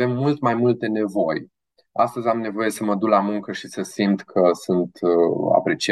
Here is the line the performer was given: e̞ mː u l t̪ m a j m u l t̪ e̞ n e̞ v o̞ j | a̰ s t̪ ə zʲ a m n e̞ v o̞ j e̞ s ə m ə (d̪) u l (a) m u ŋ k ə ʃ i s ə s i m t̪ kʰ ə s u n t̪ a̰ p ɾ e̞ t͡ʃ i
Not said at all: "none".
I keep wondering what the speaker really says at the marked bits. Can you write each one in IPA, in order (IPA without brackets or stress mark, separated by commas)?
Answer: d̪, a